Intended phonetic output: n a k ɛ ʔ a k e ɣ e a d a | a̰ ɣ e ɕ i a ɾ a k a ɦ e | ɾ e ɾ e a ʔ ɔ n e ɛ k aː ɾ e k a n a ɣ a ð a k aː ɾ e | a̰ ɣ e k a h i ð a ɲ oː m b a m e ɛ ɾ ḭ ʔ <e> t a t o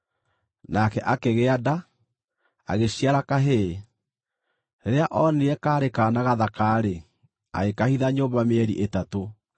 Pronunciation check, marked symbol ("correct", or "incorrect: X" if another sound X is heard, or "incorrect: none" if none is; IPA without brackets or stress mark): correct